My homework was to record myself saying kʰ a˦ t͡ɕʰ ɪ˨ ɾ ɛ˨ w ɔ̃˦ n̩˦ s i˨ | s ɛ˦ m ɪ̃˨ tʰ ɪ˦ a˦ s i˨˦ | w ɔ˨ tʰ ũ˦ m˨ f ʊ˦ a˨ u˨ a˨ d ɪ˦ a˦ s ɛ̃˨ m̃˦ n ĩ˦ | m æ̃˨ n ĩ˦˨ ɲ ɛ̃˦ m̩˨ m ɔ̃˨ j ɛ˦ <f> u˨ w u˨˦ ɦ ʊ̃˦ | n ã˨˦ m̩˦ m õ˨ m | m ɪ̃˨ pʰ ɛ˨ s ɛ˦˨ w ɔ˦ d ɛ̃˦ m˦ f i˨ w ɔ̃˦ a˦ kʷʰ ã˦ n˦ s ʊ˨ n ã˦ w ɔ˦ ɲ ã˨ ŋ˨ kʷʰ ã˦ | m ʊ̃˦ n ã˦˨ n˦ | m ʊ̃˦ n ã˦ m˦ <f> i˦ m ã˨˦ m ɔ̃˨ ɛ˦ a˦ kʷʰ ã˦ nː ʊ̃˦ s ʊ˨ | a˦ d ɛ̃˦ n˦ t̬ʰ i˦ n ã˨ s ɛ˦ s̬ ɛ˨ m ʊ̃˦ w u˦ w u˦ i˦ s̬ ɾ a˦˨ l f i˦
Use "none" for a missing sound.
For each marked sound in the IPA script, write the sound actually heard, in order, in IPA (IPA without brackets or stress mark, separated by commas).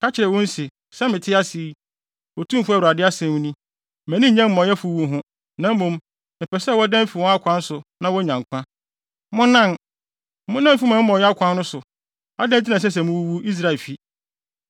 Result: f, f